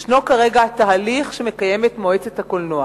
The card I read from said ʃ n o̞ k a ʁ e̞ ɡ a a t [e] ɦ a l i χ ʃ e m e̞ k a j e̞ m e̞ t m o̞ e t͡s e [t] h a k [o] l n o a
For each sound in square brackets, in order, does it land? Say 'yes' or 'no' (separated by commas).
no, yes, yes